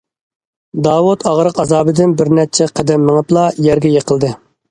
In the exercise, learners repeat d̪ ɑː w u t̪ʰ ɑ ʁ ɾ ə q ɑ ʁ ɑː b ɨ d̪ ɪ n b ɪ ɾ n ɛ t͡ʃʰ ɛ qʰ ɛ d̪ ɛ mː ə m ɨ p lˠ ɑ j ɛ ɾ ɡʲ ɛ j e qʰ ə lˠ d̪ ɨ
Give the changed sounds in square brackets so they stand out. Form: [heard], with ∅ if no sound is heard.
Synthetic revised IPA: d̪ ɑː w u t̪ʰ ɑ ʁ ɾ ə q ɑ [z] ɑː b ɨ d̪ ɪ n b ɪ ɾ n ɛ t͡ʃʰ ɛ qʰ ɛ d̪ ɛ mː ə [ŋ] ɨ p lˠ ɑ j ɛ ɾ ɡʲ ɛ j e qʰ ə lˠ d̪ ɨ